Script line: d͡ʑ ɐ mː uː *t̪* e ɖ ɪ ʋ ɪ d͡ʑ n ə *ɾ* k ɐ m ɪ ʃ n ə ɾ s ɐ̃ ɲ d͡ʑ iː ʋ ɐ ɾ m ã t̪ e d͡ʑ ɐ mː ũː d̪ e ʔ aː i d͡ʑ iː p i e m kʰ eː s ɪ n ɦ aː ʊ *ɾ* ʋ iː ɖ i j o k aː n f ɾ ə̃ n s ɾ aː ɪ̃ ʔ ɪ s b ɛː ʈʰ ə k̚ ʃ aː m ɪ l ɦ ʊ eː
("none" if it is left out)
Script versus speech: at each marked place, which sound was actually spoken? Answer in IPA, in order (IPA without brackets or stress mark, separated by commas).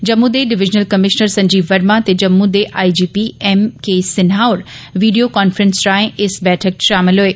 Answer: d̪, l, ɾ